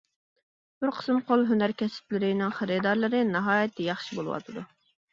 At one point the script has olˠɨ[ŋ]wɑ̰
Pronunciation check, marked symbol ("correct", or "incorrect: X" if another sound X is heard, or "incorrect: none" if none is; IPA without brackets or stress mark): incorrect: none